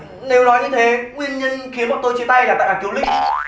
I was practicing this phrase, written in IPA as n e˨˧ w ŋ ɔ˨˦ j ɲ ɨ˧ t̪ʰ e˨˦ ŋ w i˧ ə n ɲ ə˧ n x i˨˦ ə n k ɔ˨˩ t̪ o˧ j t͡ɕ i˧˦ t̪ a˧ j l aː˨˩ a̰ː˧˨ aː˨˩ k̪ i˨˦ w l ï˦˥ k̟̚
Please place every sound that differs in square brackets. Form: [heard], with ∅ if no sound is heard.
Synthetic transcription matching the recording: n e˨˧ w [n] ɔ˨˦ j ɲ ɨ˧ t̪ʰ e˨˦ ŋ w i˧ ə n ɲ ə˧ n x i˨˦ ə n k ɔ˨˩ t̪ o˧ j t͡ɕ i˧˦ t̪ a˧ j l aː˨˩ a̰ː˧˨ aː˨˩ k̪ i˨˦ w l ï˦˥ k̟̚